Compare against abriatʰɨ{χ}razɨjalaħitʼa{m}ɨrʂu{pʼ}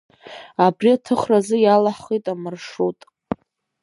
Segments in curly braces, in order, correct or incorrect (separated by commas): correct, correct, incorrect